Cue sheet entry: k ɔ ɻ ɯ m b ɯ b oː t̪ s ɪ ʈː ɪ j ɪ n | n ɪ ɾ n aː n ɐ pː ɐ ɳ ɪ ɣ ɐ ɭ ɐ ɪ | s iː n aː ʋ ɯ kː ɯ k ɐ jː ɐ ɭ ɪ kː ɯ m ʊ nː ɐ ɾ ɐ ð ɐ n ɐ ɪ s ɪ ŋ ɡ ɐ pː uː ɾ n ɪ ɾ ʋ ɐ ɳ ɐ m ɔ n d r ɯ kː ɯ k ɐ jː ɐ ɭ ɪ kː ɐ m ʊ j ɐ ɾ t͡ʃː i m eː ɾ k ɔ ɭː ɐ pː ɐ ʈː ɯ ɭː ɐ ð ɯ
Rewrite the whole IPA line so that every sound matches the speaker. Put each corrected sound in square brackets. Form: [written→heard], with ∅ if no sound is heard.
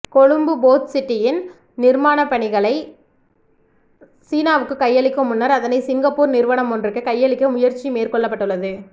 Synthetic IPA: k ɔ ɻ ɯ m b ɯ b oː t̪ s ɪ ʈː ɪ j ɪ n | n ɪ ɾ [n→m] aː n ɐ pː ɐ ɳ ɪ ɣ ɐ ɭ ɐ ɪ | s iː n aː ʋ ɯ kː ɯ k ɐ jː ɐ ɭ ɪ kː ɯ m ʊ nː ɐ ɾ ɐ ð ɐ n ɐ ɪ s ɪ ŋ ɡ ɐ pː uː ɾ n ɪ ɾ ʋ ɐ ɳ ɐ m ɔ n d r ɯ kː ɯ k ɐ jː ɐ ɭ ɪ kː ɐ m ʊ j ɐ ɾ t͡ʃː i m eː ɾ k ɔ ɭː ɐ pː ɐ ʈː ɯ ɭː ɐ ð ɯ